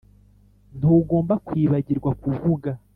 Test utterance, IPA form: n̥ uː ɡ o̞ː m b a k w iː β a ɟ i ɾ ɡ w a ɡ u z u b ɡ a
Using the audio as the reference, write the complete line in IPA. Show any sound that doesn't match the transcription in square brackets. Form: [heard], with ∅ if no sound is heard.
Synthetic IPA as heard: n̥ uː ɡ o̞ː m b a k w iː β a ɟ i ɾ ɡ w a [k] u [v] u [∅] ɡ a

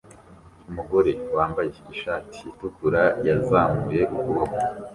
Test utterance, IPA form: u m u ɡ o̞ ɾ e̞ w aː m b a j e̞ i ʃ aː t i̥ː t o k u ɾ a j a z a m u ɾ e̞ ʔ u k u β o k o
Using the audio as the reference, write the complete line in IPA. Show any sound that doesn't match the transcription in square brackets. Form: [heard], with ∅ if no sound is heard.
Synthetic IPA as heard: u m u ɡ o̞ ɾ e̞ w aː m b a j e̞ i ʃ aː t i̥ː t [u] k u ɾ a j a z a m u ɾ e̞ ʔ u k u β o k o

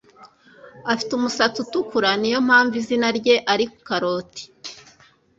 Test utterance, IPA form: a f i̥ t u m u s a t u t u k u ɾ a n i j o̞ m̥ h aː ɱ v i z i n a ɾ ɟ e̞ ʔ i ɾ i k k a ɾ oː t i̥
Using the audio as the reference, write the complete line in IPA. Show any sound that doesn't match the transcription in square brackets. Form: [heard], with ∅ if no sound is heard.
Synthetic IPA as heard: a f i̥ t u m u s a [t͡s] u t u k u ɾ a n i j o̞ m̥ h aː ɱ v i z i n a ɾ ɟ e̞ ʔ [a] ɾ i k k a ɾ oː t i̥

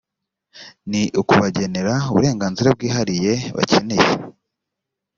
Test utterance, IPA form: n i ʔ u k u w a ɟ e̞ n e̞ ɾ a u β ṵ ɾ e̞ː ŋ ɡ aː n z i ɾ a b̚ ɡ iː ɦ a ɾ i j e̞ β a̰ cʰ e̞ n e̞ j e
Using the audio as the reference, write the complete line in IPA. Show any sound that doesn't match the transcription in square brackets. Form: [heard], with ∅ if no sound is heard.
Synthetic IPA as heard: n i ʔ u k u [β] a ɟ e̞ n e̞ ɾ a u β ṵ ɾ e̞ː ŋ ɡ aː n z i ɾ a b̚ ɡ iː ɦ a ɾ i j e̞ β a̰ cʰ e̞ n e̞ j e

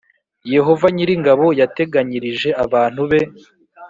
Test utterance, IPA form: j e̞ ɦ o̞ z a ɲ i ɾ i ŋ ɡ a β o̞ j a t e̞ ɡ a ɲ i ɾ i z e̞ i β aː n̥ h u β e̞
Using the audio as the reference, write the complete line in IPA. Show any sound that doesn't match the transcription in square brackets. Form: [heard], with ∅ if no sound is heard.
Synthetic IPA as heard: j e̞ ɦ o̞ [v] a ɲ i ɾ i ŋ ɡ a β o̞ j a t e̞ ɡ a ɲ i ɾ i [ʒ] e̞ [a] β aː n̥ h u β e̞

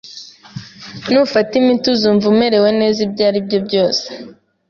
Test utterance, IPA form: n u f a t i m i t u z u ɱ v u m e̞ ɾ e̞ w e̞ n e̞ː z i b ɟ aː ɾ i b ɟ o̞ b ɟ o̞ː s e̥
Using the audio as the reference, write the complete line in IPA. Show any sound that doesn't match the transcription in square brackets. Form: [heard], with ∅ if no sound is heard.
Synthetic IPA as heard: n u f a t i m i t u z u ɱ v u m e̞ ɾ e̞ w e̞ n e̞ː z i b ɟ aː ɾ i b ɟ o̞ b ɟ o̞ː s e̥

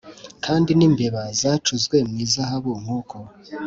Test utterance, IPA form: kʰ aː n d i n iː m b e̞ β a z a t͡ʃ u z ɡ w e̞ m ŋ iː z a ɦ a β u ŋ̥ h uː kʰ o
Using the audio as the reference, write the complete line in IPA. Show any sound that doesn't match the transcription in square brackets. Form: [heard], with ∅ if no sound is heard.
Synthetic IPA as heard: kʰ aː n d i n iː m b e̞ β a z a t͡ʃ u z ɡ w e̞ m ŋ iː z a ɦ a β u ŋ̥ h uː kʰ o

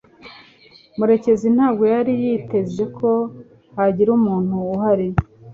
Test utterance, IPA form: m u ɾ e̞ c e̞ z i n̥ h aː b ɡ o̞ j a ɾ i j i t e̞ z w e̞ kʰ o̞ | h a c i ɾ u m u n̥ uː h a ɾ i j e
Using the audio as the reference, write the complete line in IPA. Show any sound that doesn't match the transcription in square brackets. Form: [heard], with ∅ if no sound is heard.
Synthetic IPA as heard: m u ɾ e̞ c e̞ z i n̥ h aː b ɡ o̞ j a ɾ i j i t e̞ z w e̞ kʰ o̞ | h a [ɟ] i ɾ u m [uː] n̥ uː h a ɾ i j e

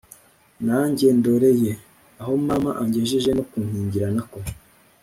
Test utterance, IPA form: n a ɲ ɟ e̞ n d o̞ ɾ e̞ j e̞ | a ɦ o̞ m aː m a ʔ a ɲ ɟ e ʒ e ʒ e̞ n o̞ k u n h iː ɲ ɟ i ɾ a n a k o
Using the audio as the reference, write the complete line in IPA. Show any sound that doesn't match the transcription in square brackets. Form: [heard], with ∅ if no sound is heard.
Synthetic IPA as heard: n a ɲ ɟ e̞ n d o̞ ɾ e̞ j e̞ | a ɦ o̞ m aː m a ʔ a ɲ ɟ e ʒ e ʒ e̞ n o̞ k u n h iː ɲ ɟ i ɾ a n a k o

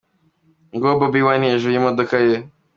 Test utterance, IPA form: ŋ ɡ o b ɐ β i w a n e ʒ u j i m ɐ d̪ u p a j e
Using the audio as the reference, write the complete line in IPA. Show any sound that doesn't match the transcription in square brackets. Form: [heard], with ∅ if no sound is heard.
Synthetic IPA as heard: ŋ ɡ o b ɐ [b] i w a n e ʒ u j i m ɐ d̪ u [k] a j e

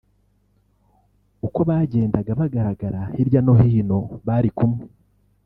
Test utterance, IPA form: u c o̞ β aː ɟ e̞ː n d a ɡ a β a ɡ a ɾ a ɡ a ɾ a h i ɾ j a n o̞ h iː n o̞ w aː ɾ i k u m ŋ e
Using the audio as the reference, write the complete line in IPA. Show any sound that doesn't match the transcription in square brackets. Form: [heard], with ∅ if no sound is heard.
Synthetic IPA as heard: u [k] o̞ β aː ɟ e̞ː n d a ɡ a β a ɡ a ɾ a ɡ a ɾ a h i ɾ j a n o̞ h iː n o̞ [β] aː ɾ i k u m ŋ e

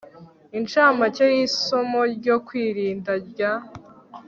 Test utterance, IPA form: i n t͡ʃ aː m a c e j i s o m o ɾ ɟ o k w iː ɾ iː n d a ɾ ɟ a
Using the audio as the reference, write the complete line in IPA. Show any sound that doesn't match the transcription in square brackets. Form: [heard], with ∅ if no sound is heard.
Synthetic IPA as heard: i n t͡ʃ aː m a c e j i s o m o ɾ ɟ o k w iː ɾ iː n d a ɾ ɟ a

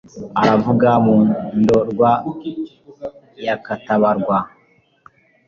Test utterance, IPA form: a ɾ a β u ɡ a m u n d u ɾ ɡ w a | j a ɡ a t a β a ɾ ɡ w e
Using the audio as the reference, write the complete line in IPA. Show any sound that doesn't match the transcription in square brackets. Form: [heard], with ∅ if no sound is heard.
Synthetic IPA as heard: a ɾ a [v] u ɡ a m u n d [o] ɾ ɡ w a | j a [k] a t a β a ɾ ɡ w [a]

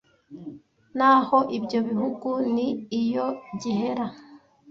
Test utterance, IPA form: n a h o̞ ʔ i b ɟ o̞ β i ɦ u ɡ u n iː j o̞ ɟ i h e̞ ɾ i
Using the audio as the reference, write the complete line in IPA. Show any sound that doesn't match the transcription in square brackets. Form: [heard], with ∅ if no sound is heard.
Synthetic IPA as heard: n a h o̞ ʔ i b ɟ o̞ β i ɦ u ɡ u n iː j o̞ ɟ i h e̞ ɾ [a]

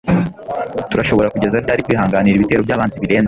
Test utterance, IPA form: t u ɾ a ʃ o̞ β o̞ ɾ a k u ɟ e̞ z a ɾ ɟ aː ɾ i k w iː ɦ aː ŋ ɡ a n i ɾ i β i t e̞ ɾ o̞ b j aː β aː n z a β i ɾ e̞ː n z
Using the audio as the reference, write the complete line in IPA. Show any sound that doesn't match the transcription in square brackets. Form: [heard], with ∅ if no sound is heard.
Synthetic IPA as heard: t u ɾ a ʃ o̞ β o̞ ɾ a k u ɟ e̞ z a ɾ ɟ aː ɾ i k w iː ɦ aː ŋ ɡ a n i ɾ i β i t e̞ ɾ o̞ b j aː β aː n z [i] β i ɾ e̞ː n z

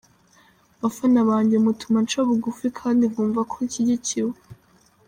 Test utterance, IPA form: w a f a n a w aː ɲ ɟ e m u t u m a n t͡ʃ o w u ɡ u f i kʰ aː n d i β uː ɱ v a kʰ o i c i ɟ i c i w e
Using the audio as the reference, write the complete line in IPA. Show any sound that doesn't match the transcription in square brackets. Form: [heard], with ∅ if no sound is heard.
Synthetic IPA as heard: [β] a f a n a [β] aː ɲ ɟ e m u t u m a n t͡ʃ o [β] u ɡ u f i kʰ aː n d i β uː ɱ v a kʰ o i c i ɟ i c i w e

